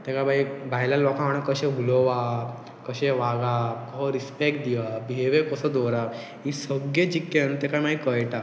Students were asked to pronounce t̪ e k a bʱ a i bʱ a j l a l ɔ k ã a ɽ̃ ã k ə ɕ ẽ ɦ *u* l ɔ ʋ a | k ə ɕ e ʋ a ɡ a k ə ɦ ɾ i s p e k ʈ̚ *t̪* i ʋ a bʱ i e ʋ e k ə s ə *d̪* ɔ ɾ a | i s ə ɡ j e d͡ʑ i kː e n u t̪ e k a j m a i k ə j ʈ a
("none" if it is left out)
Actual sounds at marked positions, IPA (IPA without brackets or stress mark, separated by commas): u, d̪, d̪